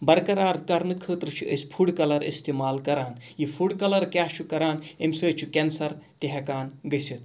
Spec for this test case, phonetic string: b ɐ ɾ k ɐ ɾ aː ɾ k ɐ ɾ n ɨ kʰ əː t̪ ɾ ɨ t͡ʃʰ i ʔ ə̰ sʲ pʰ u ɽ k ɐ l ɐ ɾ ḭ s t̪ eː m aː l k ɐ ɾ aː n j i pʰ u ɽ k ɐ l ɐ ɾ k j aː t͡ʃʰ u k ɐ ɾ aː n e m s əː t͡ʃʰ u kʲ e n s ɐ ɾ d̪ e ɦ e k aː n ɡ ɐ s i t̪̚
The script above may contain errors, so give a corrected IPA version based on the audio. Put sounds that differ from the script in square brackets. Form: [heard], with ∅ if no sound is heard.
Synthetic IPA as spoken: b ɐ ɾ k ɐ ɾ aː ɾ k ɐ ɾ n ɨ kʰ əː t̪ ɾ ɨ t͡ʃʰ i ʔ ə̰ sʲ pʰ u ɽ k ɐ l ɐ ɾ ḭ s t̪ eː m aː l k ɐ ɾ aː n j i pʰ u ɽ k ɐ l ɐ ɾ k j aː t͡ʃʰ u k ɐ ɾ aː n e m s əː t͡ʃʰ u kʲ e n s ɐ ɾ [t̪] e ɦ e k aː n ɡ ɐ s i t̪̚